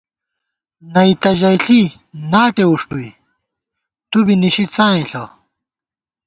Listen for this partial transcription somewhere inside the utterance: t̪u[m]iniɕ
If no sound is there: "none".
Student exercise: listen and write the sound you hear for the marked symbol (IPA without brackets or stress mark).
b